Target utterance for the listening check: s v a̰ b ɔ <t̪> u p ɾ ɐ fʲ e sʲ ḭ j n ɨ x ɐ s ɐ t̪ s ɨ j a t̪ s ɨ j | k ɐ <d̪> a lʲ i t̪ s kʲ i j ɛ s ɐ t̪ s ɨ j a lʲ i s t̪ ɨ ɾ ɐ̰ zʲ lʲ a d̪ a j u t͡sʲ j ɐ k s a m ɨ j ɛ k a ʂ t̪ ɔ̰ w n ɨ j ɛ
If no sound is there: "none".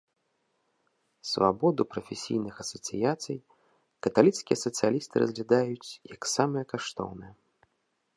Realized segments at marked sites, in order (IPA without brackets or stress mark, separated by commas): d̪, t̪